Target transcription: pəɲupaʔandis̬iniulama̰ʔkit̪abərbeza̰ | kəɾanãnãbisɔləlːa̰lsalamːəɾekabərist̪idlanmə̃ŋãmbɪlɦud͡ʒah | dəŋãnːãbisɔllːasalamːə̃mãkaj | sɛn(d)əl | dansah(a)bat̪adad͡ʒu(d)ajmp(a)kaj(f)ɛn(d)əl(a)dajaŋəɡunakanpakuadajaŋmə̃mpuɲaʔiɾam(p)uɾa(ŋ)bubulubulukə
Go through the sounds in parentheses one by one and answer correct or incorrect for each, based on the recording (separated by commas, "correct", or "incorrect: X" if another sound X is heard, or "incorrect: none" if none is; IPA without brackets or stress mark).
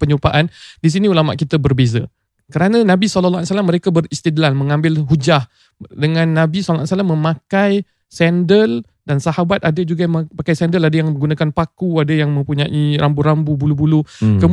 correct, correct, incorrect: ɡ, correct, incorrect: s, correct, correct, incorrect: b, incorrect: m